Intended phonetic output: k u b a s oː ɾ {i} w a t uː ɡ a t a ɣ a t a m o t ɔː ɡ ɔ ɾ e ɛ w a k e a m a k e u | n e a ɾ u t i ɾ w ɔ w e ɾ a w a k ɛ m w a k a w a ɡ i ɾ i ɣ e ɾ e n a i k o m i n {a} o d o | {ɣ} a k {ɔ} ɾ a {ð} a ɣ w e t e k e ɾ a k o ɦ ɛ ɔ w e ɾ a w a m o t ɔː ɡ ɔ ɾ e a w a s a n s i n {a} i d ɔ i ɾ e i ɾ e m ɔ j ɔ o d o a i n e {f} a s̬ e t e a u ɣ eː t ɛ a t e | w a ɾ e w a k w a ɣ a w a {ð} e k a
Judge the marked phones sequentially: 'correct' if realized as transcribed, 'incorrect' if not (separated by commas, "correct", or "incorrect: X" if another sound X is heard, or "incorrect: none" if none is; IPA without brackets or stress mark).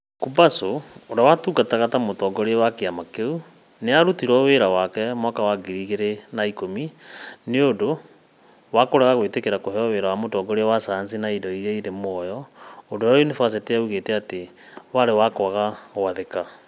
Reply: incorrect: a, incorrect: e, incorrect: w, incorrect: o, incorrect: ɣ, correct, correct, correct